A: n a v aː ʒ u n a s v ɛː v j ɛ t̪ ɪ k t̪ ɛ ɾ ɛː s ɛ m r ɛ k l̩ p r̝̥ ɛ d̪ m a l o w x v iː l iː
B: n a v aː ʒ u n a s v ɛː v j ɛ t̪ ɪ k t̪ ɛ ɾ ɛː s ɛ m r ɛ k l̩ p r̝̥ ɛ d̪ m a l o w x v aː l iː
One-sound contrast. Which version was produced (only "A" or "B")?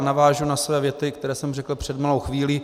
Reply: A